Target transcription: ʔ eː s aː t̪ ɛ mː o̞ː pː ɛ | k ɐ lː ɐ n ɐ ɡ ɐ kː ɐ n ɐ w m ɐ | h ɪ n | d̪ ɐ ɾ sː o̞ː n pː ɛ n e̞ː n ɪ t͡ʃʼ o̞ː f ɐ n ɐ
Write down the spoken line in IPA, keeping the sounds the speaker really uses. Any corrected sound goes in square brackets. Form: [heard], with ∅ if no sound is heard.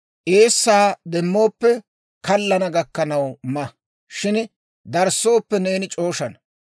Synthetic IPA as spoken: ʔ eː [sː] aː [d̪] ɛ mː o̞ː pː ɛ | k ɐ lː ɐ n ɐ ɡ ɐ kː ɐ n ɐ w m ɐ | [ʃ] ɪ n | d̪ ɐ ɾ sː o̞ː [∅] pː ɛ n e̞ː n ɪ t͡ʃʼ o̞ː [ʃ] ɐ n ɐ